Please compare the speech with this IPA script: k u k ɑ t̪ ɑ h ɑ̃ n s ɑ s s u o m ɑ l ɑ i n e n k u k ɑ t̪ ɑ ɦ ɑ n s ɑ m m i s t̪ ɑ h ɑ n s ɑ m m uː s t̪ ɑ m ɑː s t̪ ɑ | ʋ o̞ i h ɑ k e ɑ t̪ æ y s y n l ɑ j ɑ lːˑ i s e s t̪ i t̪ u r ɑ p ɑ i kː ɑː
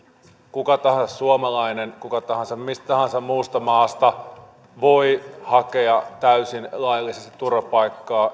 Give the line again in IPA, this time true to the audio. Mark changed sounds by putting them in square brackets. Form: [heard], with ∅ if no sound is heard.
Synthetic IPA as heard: k u k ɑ t̪ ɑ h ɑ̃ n s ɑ s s u o m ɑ l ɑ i n e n k u k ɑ t̪ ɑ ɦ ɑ n s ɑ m m i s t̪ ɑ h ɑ n s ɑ m m uː s t̪ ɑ m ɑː s t̪ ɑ | ʋ o̞ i h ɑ k e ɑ t̪ æ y s [i] n l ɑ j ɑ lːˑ i s e s t̪ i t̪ u r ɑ p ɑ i kː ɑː